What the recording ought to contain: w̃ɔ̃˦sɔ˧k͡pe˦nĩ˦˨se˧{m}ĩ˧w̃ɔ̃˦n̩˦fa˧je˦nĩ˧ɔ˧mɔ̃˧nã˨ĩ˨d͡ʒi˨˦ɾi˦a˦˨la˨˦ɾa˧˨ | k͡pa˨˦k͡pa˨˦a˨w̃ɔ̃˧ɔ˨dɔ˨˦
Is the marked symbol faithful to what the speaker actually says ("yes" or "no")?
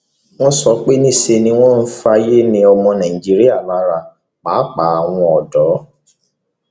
no